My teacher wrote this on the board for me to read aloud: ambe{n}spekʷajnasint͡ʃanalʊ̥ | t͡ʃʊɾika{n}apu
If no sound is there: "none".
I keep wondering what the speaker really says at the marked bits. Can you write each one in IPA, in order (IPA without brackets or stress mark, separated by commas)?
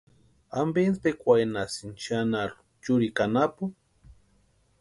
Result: n, n